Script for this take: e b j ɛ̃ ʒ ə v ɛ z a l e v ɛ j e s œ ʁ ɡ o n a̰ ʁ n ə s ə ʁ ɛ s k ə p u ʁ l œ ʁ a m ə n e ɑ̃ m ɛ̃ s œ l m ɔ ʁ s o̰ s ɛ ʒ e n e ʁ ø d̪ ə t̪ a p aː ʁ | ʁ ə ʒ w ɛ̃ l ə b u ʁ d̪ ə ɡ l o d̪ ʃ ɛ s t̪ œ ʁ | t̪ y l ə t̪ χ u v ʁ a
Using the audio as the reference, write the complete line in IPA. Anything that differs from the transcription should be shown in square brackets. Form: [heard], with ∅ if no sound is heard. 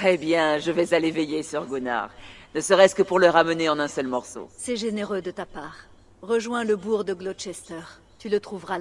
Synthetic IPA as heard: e b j ɛ̃ ʒ ə v ɛ z a l e v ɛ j e s [y] ʁ ɡ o n a̰ ʁ n ə s ə ʁ ɛ s k ə p u ʁ l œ ʁ a m ə n e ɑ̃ [n] ɛ̃ s œ l m ɔ ʁ s o̰ s ɛ ʒ e n e ʁ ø d̪ ə t̪ a p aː ʁ | ʁ ə ʒ w ɛ̃ l ə b u ʁ d̪ ə ɡ l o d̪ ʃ ɛ s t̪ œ ʁ | t̪ y l ə t̪ χ u v ʁ a